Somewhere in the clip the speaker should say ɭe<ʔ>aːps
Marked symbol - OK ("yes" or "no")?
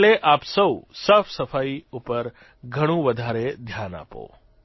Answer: yes